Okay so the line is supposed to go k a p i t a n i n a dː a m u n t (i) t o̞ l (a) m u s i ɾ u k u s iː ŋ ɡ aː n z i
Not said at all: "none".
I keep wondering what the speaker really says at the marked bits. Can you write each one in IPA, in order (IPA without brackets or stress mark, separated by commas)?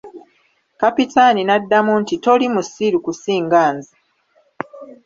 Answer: i, i